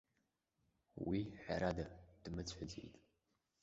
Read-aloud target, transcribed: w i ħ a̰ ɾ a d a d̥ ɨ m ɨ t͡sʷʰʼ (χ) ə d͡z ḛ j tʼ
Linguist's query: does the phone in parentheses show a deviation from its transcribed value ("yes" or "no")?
yes